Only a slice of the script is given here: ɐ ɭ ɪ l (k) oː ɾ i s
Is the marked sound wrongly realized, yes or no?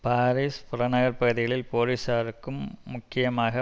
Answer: yes